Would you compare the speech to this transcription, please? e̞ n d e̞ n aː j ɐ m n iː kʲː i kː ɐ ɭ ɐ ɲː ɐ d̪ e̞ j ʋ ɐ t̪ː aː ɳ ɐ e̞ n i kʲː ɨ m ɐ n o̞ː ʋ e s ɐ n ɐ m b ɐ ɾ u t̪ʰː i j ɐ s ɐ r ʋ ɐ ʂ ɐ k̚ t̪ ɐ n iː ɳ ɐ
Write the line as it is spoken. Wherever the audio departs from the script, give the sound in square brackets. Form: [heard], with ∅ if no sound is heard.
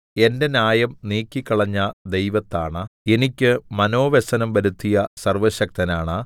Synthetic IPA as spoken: e̞ n d e̞ n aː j ɐ m n iː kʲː i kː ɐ ɭ ɐ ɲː ɐ d̪ e̞ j ʋ ɐ t̪ː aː ɳ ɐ e̞ n i kʲː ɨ m ɐ n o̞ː ʋ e s ɐ n ɐ m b ɐ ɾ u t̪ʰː i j ɐ s ɐ r ʋ ɐ [ɕ] ɐ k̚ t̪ ɐ n [aː] ɳ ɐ